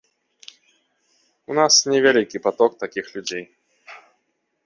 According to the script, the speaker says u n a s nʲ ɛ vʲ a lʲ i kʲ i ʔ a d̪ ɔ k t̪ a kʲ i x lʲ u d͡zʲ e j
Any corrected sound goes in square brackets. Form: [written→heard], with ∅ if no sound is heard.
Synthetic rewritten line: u n a s nʲ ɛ vʲ a lʲ i kʲ i [ʔ→p] a [d̪→t̪] ɔ k t̪ a kʲ i x lʲ u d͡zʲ e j